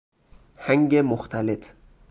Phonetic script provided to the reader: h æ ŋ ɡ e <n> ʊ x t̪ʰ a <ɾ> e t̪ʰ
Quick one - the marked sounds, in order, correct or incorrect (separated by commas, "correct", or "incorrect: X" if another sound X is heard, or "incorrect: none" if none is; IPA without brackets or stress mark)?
incorrect: m, incorrect: l